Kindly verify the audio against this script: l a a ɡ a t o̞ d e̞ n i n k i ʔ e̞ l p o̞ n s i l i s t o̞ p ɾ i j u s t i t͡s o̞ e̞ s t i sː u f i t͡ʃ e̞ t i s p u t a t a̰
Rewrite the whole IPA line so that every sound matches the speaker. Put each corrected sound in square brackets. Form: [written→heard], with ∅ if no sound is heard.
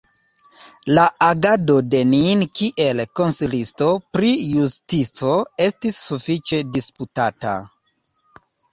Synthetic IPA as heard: l a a ɡ a [t→d] o̞ d e̞ n i n k i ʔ e̞ l [p→k] o̞ n s i l i s t o̞ p ɾ i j u s t i t͡s o̞ e̞ s t i sː u f i t͡ʃ e̞ [t→d] i s p u t a t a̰